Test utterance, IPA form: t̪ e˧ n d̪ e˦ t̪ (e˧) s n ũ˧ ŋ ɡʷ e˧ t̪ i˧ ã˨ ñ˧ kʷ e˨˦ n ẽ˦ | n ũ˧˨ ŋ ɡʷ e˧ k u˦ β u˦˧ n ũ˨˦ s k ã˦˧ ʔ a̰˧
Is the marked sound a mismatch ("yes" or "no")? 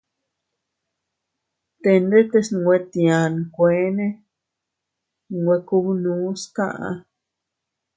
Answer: no